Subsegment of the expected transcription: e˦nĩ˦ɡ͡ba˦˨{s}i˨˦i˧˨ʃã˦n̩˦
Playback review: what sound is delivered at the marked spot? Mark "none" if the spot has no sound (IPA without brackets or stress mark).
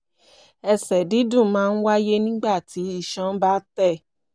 t